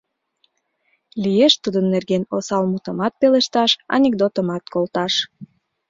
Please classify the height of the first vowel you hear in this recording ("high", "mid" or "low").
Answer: high